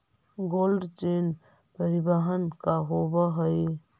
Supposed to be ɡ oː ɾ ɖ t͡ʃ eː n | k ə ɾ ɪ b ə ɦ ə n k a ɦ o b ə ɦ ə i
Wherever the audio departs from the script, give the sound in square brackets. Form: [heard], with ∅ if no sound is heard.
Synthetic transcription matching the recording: ɡ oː [l] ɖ t͡ʃ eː n | [p] ə ɾ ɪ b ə ɦ ə n k a ɦ o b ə ɦ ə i